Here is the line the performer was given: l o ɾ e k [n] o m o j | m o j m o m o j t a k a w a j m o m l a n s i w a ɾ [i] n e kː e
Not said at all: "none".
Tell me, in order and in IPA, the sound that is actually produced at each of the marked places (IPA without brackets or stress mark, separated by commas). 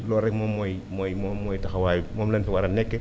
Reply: m, a